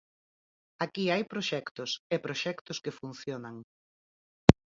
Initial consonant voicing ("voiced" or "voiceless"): voiceless